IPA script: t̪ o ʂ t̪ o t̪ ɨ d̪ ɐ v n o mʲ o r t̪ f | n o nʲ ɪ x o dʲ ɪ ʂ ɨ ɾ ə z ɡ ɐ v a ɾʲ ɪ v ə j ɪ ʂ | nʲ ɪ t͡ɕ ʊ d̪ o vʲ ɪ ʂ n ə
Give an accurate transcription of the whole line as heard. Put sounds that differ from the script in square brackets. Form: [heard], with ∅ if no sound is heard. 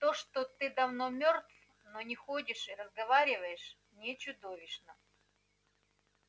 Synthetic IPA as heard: t̪ o ʂ t̪ o t̪ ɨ d̪ ɐ v n o mʲ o r t̪ f | n o nʲ ɪ x o dʲ ɪ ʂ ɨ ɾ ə z ɡ ɐ v a ɾʲ ɪ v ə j ɪ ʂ | nʲ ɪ t͡ɕ ʊ d̪ o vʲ ɪ ʂ n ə